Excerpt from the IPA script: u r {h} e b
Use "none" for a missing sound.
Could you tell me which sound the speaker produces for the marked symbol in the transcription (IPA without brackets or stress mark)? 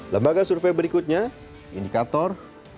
f